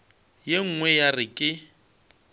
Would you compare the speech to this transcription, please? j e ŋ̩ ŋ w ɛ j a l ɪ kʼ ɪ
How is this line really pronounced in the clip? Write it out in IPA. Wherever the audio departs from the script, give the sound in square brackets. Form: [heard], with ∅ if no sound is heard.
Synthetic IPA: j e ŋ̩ ŋ w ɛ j a [r] ɪ kʼ ɪ